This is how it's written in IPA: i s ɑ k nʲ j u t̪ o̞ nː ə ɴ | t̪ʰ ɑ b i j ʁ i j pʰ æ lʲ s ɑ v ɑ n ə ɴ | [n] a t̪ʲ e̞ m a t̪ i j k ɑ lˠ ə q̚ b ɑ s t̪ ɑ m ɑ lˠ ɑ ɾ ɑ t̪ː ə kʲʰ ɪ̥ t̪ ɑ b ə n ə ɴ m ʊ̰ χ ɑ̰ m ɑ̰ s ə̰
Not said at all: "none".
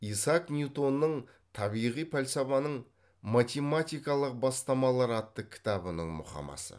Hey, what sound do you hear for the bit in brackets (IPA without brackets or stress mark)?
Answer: m